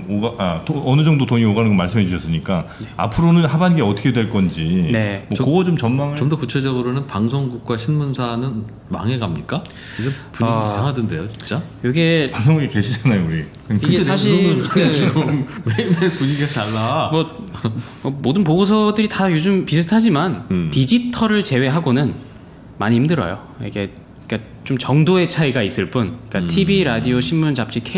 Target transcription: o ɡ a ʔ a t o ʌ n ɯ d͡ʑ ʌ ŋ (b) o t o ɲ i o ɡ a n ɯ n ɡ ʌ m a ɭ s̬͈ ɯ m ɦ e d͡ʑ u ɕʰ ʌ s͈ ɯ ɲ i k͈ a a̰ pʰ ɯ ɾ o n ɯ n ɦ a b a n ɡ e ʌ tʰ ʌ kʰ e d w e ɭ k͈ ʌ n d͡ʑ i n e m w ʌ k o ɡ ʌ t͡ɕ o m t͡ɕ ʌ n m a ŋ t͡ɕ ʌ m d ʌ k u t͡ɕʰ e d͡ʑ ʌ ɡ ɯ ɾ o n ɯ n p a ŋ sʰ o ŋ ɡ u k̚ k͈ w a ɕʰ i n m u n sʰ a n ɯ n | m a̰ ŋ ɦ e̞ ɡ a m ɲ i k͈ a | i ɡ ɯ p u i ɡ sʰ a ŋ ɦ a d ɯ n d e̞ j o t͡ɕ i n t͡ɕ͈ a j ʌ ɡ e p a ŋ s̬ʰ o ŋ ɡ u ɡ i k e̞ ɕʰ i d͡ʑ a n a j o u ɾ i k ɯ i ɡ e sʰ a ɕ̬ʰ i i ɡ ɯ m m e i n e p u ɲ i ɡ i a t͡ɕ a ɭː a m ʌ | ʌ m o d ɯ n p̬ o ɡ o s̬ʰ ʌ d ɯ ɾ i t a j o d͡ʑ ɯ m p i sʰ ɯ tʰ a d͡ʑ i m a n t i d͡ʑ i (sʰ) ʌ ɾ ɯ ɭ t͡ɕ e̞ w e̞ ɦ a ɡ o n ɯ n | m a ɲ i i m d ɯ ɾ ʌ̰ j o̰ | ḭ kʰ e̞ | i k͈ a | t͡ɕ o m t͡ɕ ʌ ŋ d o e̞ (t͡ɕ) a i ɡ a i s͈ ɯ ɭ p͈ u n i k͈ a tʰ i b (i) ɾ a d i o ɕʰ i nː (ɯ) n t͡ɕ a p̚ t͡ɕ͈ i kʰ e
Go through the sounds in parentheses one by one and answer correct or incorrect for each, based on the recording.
incorrect, incorrect, incorrect, correct, incorrect

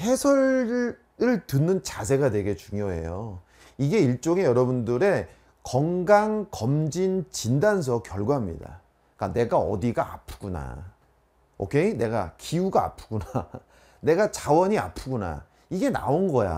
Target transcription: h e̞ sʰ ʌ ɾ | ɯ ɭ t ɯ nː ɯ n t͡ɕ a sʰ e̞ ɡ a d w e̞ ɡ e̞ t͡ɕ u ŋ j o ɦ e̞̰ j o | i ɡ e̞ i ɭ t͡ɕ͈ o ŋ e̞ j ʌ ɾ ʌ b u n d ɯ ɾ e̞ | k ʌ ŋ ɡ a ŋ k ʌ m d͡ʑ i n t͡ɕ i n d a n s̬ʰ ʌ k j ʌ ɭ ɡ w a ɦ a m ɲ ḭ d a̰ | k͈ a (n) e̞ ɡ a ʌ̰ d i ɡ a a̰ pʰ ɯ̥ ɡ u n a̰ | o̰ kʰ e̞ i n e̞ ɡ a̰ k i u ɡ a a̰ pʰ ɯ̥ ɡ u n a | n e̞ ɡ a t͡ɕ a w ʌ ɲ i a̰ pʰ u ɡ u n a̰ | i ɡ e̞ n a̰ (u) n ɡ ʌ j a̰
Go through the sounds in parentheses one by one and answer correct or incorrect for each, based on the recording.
correct, incorrect

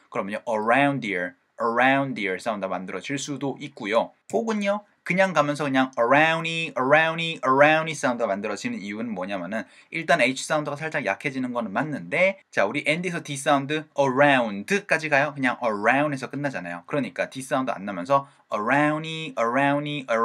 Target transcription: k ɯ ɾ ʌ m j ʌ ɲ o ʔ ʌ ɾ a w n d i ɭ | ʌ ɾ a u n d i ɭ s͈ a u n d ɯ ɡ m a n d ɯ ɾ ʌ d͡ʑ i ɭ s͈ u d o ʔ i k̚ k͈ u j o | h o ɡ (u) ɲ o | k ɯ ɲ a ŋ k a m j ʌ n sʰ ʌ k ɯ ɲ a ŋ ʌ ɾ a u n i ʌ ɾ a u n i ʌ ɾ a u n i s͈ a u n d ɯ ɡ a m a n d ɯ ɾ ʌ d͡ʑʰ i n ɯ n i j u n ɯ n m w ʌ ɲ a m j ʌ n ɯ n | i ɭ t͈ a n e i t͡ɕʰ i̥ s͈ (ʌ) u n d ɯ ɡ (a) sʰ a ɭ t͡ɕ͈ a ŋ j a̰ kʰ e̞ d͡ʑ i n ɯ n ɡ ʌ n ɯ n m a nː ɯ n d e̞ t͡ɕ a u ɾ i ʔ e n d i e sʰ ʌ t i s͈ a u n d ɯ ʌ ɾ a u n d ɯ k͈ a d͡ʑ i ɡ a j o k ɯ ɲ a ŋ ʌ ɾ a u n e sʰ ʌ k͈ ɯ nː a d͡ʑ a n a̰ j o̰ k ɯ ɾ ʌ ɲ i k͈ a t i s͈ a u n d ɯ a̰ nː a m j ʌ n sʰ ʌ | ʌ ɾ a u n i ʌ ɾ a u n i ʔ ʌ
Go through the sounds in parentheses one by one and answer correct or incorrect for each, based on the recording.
incorrect, incorrect, correct

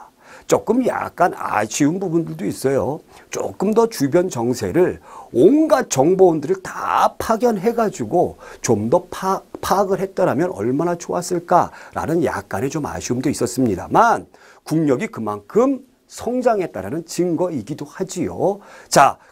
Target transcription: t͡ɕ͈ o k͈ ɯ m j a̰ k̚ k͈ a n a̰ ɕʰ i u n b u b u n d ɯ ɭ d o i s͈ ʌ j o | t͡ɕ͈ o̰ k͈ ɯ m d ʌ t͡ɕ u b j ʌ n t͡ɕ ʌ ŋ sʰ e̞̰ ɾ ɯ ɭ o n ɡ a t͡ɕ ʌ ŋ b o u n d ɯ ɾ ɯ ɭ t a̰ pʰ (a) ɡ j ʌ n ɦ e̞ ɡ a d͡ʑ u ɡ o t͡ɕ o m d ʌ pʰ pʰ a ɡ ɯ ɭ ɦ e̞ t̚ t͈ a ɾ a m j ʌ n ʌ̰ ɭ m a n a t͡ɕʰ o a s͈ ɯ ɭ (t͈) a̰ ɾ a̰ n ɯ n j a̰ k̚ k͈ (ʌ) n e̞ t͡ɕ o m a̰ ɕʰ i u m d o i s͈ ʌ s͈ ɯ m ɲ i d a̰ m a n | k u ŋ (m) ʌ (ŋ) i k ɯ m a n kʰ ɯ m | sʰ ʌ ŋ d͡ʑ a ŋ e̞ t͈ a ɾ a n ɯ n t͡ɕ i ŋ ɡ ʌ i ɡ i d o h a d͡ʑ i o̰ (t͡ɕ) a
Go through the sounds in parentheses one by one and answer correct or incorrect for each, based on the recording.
correct, incorrect, incorrect, incorrect, incorrect, correct

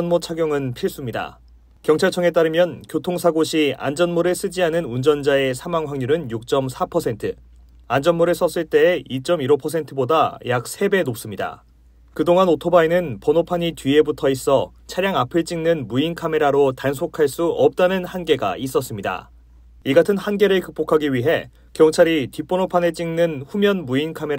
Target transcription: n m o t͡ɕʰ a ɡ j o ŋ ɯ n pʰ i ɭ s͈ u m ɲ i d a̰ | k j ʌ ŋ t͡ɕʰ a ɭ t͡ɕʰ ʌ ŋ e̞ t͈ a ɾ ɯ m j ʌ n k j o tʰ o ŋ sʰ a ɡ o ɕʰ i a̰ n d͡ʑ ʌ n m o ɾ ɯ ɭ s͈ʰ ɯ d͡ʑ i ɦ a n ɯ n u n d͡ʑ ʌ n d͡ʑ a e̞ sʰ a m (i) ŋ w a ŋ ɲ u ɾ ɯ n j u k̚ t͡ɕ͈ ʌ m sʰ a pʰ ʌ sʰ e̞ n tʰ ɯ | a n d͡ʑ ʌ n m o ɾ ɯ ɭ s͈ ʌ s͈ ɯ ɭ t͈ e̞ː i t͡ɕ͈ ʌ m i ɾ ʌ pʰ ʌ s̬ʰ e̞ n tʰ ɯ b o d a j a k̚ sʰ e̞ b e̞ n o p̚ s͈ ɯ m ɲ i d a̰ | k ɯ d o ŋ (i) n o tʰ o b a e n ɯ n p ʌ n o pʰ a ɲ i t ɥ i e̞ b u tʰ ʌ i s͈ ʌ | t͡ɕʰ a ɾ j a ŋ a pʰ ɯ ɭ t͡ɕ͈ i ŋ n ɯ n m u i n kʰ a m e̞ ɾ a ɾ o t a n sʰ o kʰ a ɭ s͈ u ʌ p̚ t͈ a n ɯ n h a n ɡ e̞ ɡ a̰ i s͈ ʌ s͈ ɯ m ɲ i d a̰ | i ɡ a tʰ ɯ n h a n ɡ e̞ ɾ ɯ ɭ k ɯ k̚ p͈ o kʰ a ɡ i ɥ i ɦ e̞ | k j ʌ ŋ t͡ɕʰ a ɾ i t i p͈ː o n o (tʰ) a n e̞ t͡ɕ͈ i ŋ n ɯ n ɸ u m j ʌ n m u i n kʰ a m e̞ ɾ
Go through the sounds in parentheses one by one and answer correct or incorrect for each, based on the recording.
incorrect, incorrect, incorrect

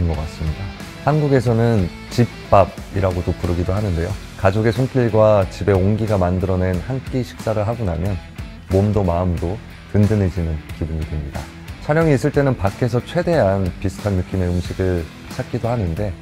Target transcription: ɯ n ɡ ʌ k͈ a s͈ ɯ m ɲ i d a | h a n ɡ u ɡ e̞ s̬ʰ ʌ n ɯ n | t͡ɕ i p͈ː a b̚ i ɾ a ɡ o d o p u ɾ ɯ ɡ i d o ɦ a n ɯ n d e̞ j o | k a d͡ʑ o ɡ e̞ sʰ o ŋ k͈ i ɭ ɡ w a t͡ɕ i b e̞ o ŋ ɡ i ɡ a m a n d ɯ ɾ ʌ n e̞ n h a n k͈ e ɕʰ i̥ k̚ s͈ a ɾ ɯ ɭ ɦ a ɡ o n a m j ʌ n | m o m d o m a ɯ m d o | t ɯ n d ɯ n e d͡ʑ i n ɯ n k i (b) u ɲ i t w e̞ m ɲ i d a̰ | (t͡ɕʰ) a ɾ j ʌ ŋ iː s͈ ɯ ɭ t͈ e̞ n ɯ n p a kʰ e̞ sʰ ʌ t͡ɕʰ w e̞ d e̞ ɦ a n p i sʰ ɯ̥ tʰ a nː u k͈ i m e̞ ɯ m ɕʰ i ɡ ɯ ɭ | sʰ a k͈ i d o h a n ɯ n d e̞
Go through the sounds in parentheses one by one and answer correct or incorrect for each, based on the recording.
correct, correct

